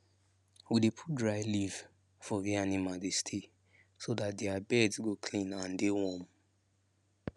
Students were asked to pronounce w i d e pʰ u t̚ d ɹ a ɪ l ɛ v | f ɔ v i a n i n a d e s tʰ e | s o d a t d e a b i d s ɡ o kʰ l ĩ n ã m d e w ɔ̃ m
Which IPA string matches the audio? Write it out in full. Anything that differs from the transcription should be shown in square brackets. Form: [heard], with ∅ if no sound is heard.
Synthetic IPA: w i d e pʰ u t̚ d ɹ a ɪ l [i] v | f ɔ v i a n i [m] a d e s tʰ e | s o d a t d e a b [ɛ] d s ɡ o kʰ l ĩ n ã [n] d e w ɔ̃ m